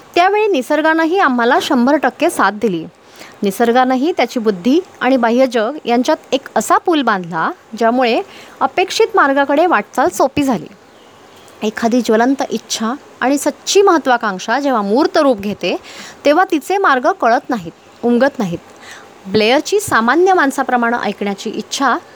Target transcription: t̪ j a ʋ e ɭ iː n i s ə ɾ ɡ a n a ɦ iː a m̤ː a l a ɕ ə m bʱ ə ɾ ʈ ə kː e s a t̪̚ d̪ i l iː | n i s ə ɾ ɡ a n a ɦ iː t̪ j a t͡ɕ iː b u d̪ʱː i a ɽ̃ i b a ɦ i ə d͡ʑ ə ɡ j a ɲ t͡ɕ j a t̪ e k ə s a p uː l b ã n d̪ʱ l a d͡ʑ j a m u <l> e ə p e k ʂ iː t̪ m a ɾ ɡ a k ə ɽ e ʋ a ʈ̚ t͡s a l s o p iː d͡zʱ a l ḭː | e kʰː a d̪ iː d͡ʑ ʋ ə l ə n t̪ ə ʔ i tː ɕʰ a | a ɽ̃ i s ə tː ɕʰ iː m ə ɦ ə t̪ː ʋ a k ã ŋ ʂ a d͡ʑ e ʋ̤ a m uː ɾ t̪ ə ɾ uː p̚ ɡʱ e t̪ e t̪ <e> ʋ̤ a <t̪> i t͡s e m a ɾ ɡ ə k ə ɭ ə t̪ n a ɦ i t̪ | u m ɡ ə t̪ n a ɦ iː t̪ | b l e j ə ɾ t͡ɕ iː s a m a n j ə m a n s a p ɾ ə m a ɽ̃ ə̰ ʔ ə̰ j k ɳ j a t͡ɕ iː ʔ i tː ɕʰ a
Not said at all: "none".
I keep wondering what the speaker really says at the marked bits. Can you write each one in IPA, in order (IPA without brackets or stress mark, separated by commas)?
ɭ, e, t̪